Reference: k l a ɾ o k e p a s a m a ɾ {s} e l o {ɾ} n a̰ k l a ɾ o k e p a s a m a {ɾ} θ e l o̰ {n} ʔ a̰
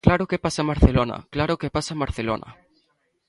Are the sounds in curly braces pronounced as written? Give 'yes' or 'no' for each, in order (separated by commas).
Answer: no, no, yes, yes